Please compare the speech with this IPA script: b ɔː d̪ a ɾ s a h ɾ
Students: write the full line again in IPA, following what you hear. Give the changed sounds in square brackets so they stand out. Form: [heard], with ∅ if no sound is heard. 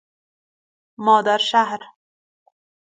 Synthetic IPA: [m] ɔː d̪ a ɾ [ʃ] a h ɾ